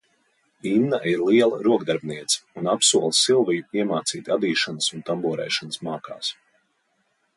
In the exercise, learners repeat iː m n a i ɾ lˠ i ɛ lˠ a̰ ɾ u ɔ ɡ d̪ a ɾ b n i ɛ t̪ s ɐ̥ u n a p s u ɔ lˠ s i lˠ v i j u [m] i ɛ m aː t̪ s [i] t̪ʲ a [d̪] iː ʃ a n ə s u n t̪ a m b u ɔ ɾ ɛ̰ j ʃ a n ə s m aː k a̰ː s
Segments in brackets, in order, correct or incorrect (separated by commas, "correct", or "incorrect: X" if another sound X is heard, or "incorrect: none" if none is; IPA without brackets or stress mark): incorrect: none, incorrect: iː, correct